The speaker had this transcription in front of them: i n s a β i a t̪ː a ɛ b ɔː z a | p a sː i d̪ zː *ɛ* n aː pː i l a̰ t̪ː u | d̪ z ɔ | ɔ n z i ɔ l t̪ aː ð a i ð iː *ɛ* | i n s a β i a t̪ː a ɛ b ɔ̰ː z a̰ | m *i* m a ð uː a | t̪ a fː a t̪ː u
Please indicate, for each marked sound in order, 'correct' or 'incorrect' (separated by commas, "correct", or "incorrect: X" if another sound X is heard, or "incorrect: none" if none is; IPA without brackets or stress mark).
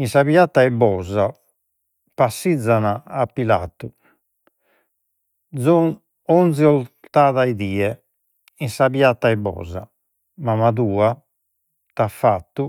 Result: incorrect: a, correct, incorrect: a